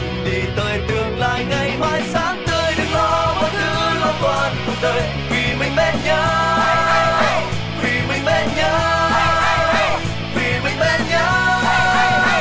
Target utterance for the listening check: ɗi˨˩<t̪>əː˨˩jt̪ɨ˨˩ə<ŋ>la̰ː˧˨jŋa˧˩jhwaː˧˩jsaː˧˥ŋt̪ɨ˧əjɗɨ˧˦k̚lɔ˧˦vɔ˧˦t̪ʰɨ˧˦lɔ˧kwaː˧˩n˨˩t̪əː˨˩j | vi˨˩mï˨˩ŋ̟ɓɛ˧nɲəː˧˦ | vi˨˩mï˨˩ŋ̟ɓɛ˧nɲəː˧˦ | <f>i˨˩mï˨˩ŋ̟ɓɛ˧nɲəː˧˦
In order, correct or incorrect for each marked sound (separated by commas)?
correct, correct, incorrect